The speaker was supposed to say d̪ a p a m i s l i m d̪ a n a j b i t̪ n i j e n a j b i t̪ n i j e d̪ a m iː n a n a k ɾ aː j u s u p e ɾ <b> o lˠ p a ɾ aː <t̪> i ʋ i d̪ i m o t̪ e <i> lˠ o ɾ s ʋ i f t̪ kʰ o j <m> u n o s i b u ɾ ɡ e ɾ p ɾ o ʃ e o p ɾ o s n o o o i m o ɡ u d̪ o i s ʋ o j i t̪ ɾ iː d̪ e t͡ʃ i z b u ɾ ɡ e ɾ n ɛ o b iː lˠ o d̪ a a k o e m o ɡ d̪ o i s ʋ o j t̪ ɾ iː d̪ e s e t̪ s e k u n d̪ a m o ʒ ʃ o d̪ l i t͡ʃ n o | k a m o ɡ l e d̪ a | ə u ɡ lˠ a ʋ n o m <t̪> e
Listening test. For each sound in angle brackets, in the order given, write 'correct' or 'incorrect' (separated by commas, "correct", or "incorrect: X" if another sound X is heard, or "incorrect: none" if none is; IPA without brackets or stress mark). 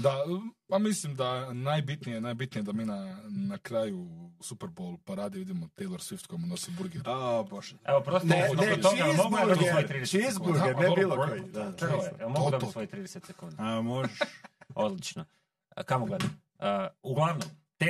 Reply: correct, incorrect: d̪, incorrect: j, correct, correct